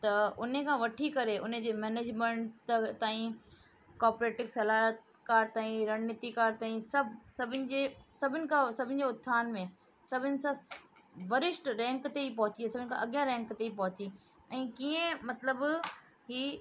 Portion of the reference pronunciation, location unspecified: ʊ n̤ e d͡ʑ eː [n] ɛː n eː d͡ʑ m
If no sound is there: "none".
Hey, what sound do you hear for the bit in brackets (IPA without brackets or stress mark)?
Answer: m